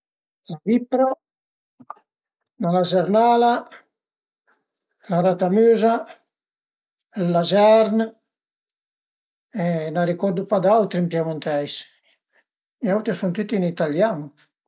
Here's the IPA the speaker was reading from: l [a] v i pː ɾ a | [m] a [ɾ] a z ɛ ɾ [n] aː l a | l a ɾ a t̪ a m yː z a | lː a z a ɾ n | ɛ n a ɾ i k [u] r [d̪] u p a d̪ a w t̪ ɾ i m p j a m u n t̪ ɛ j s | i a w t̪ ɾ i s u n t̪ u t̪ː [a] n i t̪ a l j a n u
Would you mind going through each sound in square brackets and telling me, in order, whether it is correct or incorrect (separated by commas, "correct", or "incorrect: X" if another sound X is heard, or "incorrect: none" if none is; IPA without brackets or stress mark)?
correct, incorrect: n, incorrect: l, correct, incorrect: ɔ, correct, incorrect: i